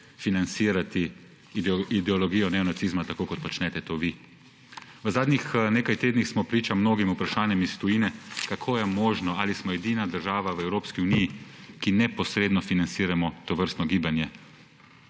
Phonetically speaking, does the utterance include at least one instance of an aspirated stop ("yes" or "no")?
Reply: yes